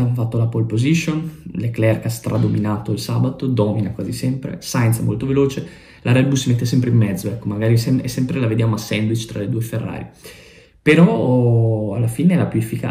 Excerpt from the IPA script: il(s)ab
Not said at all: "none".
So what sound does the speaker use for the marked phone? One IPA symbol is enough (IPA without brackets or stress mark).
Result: s